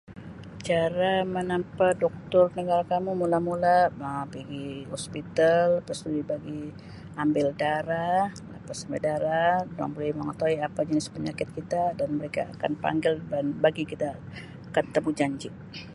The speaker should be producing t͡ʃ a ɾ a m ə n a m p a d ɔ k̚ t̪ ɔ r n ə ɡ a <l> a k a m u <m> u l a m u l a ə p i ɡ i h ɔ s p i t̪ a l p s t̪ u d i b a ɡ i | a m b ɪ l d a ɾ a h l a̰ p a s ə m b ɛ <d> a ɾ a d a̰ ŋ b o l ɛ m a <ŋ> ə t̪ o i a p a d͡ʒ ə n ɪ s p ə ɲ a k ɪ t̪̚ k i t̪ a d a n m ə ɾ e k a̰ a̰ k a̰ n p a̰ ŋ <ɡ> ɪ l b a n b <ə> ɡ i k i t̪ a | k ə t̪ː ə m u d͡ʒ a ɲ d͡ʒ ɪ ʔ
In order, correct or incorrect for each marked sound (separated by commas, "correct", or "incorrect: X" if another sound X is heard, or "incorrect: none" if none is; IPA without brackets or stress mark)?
incorrect: ɾ, correct, correct, correct, correct, incorrect: a